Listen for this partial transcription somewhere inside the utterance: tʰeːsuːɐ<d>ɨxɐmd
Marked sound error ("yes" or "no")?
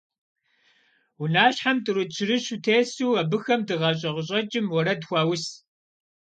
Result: yes